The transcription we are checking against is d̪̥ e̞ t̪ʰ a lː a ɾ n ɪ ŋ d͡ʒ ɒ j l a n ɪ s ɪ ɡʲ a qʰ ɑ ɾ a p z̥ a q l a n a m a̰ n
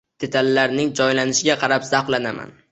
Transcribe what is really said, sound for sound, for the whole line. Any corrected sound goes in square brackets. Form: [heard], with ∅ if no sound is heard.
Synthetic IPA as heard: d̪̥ e̞ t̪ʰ a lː a ɾ n ɪ ŋ d͡ʒ ɒ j l a n ɪ [ʃ] ɪ ɡʲ a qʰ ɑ ɾ a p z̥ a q l a n a m a̰ n